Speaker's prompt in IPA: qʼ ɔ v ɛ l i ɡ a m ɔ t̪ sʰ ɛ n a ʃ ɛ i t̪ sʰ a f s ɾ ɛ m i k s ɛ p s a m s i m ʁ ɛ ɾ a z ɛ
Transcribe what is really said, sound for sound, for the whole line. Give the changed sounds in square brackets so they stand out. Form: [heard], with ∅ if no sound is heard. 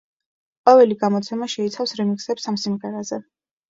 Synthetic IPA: qʼ ɔ v ɛ l i ɡ a m ɔ t̪ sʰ ɛ [m] a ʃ ɛ i t̪ sʰ a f s ɾ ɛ m i k s ɛ p s a m s i m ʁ ɛ ɾ a z ɛ